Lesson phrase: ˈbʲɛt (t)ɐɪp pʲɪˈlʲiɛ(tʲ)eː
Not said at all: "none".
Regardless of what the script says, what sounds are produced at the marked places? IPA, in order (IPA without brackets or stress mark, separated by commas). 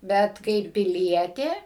k, tʲ